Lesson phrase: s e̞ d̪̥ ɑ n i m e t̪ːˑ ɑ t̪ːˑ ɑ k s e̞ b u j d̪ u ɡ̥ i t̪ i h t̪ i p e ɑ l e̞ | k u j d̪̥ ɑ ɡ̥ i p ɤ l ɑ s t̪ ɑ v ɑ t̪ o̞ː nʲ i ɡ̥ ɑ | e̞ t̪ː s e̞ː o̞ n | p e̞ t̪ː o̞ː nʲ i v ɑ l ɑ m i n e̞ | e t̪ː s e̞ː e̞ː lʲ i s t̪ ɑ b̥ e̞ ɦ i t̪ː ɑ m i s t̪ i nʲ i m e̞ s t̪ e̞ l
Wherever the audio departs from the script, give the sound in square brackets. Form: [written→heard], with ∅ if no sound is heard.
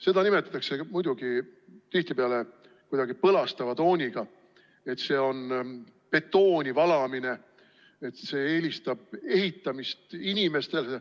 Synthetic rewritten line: s e̞ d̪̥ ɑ n i m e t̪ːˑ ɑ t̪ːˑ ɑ k s e̞ [b→m] u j d̪ u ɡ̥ i t̪ i h t̪ i p e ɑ l e̞ | k u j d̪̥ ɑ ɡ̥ i p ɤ l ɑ s t̪ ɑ v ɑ t̪ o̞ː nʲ i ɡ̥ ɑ | e̞ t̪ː s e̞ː o̞ n | p e̞ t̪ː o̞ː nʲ i v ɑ l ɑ m i n e̞ | e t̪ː s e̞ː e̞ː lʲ i s t̪ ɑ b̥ e̞ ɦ i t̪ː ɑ m i s t̪ i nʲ i m e̞ s t̪ e̞ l